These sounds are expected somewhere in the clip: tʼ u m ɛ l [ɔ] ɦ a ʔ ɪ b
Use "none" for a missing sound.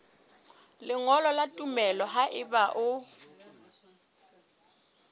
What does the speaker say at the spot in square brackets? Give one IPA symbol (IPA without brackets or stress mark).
ɔ